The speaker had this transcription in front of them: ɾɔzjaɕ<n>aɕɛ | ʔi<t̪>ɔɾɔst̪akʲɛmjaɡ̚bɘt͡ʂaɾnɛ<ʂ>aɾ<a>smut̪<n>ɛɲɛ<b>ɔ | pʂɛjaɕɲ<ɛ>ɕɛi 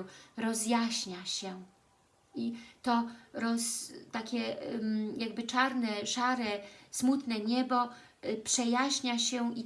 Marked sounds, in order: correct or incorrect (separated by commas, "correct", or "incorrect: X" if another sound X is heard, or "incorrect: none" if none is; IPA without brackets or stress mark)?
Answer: incorrect: ɲ, correct, correct, incorrect: ɛ, correct, correct, incorrect: a